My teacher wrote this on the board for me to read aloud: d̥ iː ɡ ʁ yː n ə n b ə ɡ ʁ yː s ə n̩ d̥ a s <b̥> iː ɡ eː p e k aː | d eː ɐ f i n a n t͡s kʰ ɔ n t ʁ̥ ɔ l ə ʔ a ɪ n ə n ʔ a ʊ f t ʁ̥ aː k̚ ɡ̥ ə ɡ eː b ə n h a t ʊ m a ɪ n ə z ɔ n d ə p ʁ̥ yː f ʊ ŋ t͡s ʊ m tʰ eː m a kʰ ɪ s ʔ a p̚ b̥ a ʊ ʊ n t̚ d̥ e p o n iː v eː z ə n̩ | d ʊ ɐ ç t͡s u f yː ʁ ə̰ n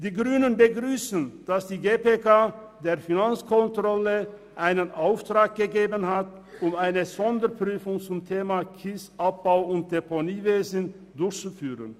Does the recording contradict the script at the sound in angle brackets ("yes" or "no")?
yes